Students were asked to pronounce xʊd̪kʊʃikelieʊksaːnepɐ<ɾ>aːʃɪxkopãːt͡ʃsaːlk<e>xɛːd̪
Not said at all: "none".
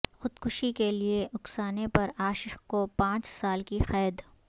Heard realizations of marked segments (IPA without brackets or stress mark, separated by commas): ɾ, i